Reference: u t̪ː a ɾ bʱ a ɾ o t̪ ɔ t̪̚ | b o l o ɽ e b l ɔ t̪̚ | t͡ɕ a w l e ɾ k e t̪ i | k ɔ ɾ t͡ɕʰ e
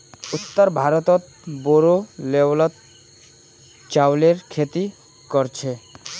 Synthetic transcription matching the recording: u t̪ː a ɾ bʱ a ɾ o t̪ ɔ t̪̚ | b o ɾ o l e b l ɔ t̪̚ | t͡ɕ a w l e ɾ kʰ e t̪ i | k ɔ ɾ t͡ɕʰ e